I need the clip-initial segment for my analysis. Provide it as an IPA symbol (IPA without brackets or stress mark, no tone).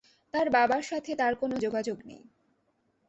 t̪